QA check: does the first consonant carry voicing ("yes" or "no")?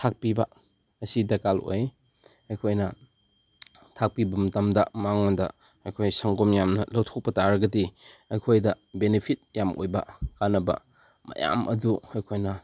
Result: no